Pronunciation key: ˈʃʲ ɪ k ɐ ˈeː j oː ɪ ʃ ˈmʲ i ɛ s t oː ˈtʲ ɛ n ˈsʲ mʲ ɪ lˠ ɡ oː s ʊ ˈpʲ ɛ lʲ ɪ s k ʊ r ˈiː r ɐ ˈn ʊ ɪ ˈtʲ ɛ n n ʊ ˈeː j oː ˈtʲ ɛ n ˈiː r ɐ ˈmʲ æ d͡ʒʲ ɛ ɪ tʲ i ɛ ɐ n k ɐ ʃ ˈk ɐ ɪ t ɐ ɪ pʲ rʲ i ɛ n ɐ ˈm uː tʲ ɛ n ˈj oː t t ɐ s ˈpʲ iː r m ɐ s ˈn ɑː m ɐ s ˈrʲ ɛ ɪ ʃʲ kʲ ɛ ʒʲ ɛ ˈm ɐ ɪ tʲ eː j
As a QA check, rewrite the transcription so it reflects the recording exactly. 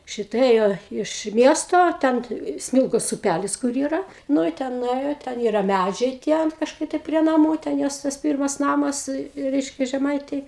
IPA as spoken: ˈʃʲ ɪ t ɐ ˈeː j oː ɪ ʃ ˈmʲ i ɛ s t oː ˈtʲ ɛ n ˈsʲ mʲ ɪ lˠ ɡ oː s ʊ ˈpʲ æ lʲ ɪ s k ʊ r ˈiː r ɐ ˈn ʊ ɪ ˈtʲ ɛ n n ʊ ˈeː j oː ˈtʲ ɛ n ˈiː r ɐ ˈmʲ æ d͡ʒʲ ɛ ɪ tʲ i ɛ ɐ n k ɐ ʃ ˈk ɐ ɪ t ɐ ɪ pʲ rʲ i ɛ n ɐ ˈm uː tʲ ɛ n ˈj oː s t ɐ s ˈpʲ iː r m ɐ s ˈn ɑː m ɐ s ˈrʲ ɛ ɪ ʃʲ kʲ ɛ ʒʲ ɛ ˈm ɐ ɪ tʲ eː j